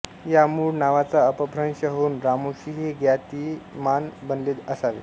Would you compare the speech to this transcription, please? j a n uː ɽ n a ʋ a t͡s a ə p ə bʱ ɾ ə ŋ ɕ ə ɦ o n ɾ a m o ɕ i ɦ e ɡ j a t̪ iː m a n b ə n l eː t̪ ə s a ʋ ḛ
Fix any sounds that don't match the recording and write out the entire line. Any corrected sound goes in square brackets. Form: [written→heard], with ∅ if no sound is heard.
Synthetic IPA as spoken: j a [n→m] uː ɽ n a ʋ a t͡s a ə p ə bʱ ɾ ə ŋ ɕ ə ɦ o n ɾ a m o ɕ i ɦ e ɡ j a t̪ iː m a n b ə n l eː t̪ ə s a ʋ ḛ